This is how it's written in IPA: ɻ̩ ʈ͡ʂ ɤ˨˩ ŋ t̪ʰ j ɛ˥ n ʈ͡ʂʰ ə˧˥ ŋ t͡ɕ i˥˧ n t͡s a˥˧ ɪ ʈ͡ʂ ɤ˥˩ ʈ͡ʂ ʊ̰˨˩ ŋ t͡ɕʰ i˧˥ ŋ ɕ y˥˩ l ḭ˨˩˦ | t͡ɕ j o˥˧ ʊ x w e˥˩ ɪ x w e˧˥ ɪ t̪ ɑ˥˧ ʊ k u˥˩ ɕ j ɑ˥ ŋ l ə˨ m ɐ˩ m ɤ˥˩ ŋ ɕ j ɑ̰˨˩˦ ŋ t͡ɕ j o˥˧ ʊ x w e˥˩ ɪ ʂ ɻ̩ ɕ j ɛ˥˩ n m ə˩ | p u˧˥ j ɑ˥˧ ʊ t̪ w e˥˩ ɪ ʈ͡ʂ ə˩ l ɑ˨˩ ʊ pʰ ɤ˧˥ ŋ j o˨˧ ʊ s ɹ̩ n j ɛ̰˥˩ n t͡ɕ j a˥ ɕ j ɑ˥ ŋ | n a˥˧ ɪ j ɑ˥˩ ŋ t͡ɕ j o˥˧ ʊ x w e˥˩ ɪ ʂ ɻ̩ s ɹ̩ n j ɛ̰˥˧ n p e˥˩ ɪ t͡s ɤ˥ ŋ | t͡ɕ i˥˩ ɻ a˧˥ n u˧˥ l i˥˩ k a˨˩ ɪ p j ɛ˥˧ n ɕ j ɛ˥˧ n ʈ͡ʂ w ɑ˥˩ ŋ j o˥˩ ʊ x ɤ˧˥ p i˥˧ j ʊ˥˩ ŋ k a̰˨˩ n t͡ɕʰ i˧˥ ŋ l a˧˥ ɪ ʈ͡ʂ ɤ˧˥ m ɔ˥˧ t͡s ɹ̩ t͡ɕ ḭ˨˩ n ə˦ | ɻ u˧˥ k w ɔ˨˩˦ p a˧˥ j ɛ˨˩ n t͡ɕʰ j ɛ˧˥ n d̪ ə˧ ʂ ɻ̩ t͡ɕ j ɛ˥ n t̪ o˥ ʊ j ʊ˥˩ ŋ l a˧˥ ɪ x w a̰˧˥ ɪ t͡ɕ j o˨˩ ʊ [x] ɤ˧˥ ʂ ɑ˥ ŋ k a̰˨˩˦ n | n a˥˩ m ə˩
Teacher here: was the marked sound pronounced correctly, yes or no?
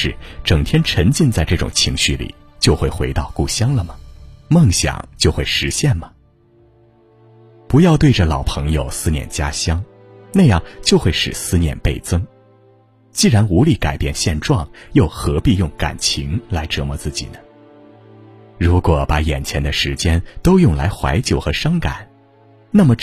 yes